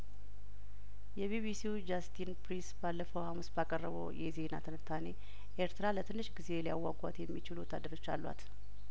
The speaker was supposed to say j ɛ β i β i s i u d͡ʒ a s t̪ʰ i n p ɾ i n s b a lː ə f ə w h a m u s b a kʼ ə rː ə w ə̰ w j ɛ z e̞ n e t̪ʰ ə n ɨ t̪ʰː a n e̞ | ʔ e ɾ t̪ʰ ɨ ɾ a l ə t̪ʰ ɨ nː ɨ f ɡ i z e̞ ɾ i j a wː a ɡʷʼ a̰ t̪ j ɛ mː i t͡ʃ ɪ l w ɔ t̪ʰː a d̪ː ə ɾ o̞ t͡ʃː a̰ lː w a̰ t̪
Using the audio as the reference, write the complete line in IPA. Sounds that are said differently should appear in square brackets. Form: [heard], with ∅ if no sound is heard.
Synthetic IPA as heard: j ɛ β i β i s i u d͡ʒ a s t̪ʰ i n p ɾ i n s b a lː ə f ə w h a m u s b a kʼ ə rː ə [β] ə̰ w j ɛ z e̞ n [a] t̪ʰ ə n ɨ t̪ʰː a n e̞ | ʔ e ɾ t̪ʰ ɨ ɾ a l ə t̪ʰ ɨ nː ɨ [ʃ] ɡ i z e̞ [l] i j a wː a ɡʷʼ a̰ t̪ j ɛ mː i t͡ʃ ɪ l w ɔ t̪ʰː a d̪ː ə ɾ o̞ t͡ʃː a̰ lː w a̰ t̪